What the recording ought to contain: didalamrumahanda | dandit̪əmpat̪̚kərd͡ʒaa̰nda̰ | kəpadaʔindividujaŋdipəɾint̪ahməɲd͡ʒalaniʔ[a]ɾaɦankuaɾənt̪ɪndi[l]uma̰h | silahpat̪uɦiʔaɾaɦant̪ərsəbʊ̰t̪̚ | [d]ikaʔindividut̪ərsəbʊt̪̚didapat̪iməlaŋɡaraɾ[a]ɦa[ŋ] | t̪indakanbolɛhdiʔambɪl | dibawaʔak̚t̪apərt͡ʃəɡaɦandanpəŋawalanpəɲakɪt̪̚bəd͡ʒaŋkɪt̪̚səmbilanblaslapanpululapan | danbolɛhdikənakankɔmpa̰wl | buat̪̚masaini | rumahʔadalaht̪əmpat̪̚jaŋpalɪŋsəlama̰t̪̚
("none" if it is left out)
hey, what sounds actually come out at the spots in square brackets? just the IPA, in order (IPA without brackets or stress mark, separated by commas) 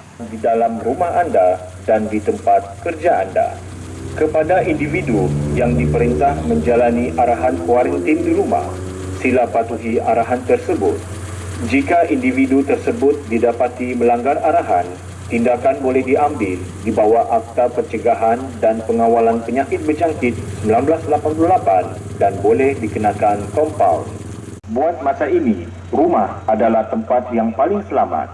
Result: a, ɾ, d͡ʒ, a, n